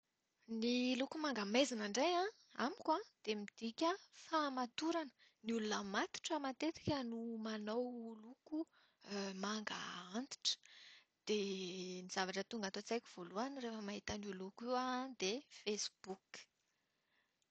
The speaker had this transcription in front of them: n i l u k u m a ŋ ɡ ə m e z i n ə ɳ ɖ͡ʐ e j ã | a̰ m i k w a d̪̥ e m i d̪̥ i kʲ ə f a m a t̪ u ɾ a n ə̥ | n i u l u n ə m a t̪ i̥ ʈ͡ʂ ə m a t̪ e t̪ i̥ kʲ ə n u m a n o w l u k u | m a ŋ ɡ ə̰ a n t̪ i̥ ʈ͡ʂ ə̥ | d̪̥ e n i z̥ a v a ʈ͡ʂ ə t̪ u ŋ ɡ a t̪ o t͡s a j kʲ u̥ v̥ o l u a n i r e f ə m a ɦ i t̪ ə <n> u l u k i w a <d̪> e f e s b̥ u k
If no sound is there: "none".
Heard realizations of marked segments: n, d̪

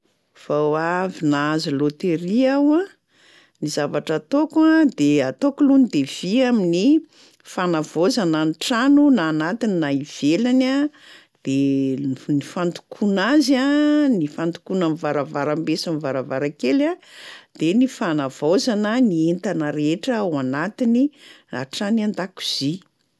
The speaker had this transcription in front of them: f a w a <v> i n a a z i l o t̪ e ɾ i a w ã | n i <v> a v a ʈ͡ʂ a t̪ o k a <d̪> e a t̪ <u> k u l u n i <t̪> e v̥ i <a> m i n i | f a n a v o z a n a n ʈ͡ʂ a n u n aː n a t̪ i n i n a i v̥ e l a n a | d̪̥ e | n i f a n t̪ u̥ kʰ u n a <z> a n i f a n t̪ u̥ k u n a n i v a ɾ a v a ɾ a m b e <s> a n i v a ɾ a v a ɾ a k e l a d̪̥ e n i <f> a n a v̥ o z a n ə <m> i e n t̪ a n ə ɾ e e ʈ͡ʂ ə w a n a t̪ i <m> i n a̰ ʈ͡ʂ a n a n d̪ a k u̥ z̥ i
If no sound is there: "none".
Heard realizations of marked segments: v, z, d̪, o, d̪, a, z, s, f, n, n

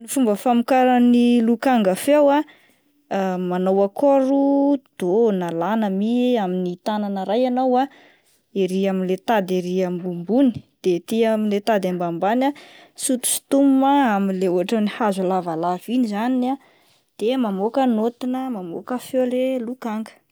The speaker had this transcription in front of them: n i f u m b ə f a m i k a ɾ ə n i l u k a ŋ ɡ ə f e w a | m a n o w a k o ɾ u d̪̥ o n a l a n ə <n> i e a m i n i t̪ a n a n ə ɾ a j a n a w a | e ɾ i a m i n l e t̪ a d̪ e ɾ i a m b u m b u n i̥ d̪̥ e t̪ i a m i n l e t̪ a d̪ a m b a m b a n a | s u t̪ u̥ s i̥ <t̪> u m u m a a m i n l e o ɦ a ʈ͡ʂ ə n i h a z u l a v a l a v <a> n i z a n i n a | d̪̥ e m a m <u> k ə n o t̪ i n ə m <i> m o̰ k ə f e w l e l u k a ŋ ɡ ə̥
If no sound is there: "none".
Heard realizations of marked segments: m, t̪, i, o, a

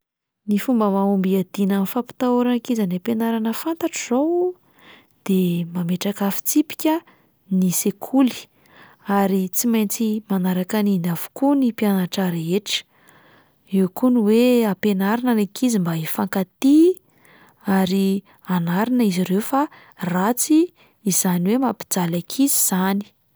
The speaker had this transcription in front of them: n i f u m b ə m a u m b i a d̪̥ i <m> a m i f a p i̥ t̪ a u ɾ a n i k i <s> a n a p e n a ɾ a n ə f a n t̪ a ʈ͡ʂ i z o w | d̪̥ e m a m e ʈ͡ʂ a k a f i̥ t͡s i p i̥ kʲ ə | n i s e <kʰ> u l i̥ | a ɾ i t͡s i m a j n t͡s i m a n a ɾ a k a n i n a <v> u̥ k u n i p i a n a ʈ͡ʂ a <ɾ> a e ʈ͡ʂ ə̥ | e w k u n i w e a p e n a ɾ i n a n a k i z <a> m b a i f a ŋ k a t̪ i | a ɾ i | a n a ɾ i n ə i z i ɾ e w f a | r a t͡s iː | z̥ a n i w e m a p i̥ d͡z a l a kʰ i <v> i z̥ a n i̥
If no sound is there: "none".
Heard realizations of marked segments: n, z, kʰ, v, ɾ, i, z

